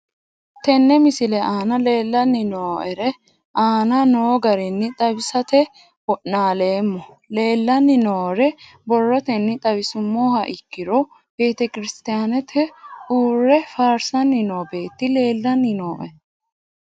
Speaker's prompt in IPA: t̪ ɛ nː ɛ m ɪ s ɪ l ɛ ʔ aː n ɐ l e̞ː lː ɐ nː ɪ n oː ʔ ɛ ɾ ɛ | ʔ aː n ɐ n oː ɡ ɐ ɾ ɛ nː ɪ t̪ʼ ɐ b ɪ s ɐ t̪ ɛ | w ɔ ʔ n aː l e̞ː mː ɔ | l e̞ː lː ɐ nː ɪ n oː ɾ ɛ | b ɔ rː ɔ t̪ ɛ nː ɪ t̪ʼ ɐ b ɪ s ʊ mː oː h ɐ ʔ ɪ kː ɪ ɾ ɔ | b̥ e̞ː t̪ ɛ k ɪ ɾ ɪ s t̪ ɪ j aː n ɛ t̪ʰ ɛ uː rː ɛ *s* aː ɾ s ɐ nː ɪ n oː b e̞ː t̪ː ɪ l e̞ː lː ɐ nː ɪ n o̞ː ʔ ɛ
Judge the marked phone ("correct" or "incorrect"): incorrect